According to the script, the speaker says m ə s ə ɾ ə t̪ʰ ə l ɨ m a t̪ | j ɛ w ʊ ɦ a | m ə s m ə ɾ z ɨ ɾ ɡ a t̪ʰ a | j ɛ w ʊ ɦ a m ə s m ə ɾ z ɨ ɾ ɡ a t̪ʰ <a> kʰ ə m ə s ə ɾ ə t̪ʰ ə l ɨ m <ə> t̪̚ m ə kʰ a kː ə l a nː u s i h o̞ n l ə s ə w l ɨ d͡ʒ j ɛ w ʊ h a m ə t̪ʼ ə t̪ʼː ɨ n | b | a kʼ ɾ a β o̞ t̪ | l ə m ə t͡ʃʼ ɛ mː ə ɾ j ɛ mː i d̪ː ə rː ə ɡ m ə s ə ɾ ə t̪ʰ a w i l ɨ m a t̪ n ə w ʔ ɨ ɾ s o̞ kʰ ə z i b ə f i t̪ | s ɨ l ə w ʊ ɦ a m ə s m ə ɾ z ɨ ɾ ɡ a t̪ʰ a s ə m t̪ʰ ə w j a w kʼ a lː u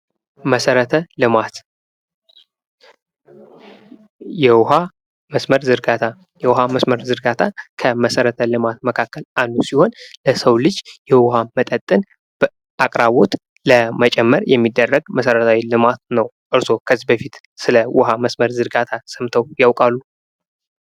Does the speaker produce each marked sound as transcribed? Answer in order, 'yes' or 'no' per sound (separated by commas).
yes, no